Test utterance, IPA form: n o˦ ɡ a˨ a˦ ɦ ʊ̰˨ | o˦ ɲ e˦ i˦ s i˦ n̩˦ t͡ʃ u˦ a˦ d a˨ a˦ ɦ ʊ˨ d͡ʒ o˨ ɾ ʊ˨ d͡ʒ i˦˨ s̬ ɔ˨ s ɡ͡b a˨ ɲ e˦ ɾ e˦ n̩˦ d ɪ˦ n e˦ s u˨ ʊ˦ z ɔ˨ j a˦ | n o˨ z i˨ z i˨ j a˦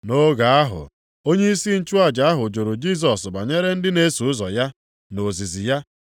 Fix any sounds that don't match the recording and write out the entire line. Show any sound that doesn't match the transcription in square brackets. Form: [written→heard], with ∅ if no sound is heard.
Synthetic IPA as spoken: n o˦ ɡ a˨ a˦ ɦ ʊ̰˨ | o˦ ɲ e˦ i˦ s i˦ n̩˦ t͡ʃ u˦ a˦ [d→d͡ʒ] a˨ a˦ ɦ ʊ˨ d͡ʒ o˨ ɾ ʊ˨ d͡ʒ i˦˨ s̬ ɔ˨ s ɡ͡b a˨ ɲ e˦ ɾ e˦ n̩˦ d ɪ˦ n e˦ s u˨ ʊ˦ z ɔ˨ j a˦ | n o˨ z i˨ z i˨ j a˦